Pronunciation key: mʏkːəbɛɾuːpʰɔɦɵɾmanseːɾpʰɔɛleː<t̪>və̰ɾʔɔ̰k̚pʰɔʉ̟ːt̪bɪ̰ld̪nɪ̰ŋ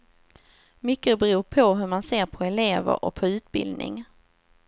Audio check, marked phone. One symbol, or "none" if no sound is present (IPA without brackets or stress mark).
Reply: none